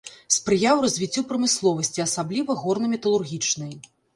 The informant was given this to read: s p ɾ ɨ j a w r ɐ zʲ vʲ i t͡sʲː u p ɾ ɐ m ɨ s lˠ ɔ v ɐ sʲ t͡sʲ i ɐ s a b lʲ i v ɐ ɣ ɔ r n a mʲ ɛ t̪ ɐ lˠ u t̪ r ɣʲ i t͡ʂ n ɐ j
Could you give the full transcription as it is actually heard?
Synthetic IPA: s p ɾ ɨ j a w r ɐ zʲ vʲ i t͡sʲː u p ɾ ɐ m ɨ s lˠ ɔ v ɐ sʲ t͡sʲ i ɐ s a b lʲ i v ɐ ɣ ɔ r n ɐ mʲ ɛ t̪ ɐ lˠ u r ɣʲ i t͡ʂ n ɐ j